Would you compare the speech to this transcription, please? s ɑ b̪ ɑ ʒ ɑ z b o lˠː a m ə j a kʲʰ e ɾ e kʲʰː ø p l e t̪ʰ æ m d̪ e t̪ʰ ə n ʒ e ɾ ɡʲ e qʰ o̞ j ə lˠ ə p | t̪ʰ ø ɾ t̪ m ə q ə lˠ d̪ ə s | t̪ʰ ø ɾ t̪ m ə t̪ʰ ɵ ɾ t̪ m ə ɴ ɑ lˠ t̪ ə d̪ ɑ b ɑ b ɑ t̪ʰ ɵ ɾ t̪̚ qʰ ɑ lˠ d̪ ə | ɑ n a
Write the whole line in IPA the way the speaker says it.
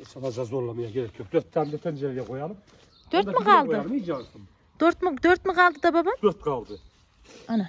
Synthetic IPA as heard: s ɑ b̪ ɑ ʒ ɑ z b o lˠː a m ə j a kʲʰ e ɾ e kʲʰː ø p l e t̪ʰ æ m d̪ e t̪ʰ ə n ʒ e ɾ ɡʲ e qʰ o̞ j ɑ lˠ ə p | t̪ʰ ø ɾ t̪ m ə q ɑ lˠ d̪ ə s | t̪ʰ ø ɾ t̪ m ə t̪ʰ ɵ ɾ t̪ m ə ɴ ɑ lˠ d̪ ə d̪ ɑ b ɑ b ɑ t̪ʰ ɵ ɾ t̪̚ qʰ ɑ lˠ d̪ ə | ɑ n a